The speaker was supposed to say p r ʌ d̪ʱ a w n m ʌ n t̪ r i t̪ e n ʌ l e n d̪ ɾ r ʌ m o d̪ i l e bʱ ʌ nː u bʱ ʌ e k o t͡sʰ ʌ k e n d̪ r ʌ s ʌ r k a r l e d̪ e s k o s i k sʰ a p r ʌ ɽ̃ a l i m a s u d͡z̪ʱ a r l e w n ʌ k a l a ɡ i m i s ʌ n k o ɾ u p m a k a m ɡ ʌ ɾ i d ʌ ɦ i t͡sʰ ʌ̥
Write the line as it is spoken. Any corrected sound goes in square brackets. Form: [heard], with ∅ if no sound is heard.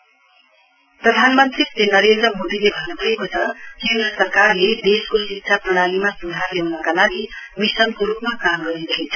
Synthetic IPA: p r ʌ d̪ʱ a [∅] n m ʌ n t̪ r i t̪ e n ʌ [ɾ] e n d̪ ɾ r ʌ m o d̪ i l e bʱ ʌ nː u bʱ ʌ e k o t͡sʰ ʌ k e n d̪ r ʌ s ʌ r k a r l e d̪ e s k o s i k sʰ a p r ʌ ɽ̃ a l i m a s u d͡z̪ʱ a r l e w n ʌ k a l a ɡ i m i s ʌ n k o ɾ u p m a k a m ɡ ʌ ɾ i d ʌ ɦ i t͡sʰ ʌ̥